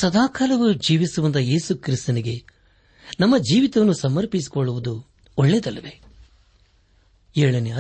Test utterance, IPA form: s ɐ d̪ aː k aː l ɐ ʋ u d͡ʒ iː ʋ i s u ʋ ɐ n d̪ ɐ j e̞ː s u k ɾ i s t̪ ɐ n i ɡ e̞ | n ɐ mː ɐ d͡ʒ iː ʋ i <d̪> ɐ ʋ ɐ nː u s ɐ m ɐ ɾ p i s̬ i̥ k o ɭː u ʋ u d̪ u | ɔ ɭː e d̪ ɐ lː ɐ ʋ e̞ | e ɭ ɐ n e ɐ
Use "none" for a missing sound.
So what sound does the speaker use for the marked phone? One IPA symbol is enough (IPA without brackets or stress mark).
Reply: t̪